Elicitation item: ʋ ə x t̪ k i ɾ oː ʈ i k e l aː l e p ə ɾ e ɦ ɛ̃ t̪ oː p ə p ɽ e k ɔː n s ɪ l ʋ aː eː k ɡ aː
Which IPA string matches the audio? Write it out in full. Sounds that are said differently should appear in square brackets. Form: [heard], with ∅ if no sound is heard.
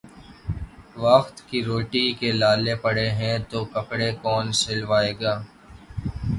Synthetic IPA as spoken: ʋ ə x t̪ k i ɾ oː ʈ i k e l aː l e p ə [ɽ] e ɦ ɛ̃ t̪ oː [k] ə p ɽ e k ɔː n s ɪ l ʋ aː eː [∅] ɡ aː